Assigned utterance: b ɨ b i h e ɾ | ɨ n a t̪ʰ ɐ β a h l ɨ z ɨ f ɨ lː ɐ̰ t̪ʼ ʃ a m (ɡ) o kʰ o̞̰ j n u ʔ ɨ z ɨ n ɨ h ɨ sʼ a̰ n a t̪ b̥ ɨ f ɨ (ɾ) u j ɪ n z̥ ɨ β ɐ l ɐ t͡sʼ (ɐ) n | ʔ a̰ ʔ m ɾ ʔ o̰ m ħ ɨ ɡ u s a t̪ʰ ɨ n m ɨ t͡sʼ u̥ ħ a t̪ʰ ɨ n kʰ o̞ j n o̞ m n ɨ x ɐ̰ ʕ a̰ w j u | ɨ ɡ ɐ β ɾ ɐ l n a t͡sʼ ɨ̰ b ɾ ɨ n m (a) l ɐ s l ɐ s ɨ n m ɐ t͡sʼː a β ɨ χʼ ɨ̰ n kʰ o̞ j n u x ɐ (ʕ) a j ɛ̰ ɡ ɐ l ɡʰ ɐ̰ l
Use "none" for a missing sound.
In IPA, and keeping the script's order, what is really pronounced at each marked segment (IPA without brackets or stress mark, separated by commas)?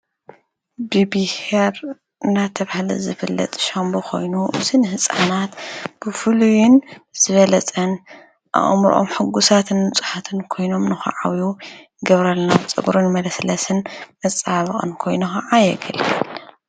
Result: b, l, ɐ, ɐ, ʕ